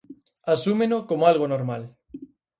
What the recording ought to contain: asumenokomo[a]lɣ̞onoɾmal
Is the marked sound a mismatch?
no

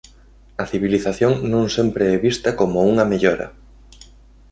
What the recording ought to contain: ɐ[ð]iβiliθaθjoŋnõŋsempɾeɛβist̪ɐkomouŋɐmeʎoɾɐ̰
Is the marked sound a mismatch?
yes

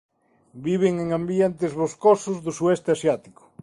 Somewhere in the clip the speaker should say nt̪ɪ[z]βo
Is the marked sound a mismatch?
no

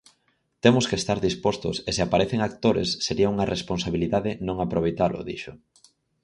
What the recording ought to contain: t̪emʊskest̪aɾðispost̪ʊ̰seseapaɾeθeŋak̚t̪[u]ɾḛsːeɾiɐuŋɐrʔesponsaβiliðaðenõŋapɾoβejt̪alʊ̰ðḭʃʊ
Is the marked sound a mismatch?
yes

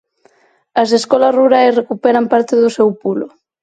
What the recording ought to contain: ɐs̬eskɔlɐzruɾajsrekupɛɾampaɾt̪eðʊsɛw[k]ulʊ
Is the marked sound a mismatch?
yes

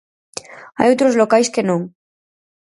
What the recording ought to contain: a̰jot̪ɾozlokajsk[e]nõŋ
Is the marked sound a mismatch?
no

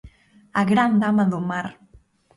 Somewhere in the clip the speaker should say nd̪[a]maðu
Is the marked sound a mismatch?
no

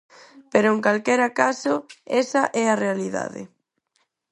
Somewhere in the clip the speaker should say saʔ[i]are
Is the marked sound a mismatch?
yes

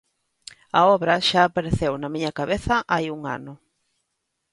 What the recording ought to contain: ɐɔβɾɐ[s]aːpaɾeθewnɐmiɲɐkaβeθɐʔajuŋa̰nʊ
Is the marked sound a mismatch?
yes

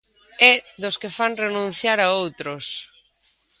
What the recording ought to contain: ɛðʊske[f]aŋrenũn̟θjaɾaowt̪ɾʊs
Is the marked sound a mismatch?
no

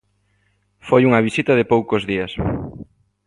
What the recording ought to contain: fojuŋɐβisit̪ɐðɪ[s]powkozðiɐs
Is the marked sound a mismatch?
yes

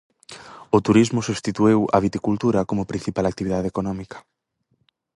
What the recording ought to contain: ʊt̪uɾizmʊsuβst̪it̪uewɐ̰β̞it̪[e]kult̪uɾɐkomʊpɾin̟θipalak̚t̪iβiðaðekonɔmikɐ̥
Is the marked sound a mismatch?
yes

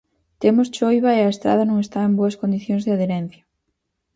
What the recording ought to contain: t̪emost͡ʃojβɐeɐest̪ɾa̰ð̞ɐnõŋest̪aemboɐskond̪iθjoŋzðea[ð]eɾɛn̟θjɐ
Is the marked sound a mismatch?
no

